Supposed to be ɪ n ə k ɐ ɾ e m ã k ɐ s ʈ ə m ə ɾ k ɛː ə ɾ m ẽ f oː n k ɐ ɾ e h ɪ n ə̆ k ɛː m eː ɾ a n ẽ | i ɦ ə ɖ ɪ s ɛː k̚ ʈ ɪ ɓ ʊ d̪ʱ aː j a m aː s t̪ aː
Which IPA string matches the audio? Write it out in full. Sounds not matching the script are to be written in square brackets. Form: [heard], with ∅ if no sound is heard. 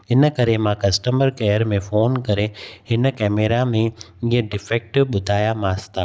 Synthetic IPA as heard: ɪ n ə k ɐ ɾ e m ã k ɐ s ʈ ə m ə ɾ k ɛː ə ɾ m ẽ f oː n k ɐ ɾ e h ɪ n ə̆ k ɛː m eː ɾ a [m] ẽ | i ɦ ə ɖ ɪ [f] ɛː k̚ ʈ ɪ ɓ ʊ d̪ʱ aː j a m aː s t̪ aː